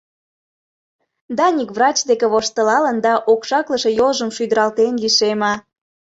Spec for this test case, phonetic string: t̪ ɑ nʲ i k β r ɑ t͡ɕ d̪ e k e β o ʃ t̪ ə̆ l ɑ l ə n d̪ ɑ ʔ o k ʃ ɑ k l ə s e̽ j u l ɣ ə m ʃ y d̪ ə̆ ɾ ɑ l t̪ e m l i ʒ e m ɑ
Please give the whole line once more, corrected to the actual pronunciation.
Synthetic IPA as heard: d̪ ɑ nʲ i k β r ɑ t͡ɕ d̪ e k e β o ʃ t̪ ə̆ l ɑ l ə n d̪ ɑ ʔ o k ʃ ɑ k l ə ʃ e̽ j o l ʒ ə m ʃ y d̪ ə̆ ɾ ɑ l t̪ e n l i ʃ e m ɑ